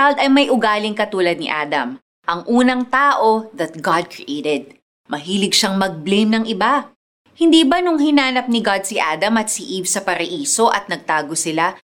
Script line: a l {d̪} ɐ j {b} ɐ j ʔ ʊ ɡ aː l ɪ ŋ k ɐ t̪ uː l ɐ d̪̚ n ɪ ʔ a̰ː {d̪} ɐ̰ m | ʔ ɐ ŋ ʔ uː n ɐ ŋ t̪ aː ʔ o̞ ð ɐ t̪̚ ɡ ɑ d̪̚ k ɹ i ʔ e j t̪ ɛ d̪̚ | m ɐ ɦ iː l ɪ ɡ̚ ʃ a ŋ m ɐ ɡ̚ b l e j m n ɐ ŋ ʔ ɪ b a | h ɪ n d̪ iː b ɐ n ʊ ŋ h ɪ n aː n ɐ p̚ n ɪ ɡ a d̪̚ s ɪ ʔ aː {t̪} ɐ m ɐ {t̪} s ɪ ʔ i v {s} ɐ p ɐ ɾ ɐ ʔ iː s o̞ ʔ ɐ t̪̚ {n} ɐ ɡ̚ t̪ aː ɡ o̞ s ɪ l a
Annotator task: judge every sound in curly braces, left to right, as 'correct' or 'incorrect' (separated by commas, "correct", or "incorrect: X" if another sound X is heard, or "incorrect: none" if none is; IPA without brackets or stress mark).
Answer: correct, incorrect: m, correct, incorrect: d̪, correct, correct, correct